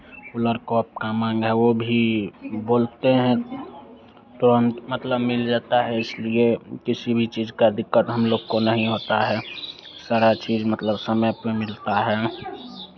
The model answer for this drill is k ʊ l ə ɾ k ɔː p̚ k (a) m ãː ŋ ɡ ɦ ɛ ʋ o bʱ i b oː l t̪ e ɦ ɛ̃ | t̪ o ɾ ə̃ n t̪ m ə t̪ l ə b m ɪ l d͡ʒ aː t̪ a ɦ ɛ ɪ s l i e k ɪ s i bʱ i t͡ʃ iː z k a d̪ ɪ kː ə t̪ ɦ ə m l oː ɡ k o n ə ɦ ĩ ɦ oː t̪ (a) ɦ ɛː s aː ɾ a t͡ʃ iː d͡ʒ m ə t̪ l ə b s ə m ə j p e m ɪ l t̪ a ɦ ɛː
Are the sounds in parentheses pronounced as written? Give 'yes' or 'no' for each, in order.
yes, yes

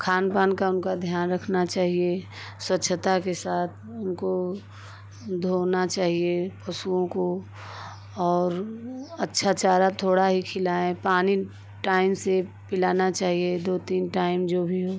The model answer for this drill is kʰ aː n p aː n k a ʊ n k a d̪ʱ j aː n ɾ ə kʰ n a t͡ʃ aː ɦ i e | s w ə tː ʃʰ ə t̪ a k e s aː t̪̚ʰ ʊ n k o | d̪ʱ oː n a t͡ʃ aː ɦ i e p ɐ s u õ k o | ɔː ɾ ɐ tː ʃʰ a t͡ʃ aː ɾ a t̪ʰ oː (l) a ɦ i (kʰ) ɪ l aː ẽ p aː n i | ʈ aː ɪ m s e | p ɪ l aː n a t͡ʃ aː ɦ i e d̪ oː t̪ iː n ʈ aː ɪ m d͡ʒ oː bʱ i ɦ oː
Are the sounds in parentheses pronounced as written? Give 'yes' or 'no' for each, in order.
no, yes

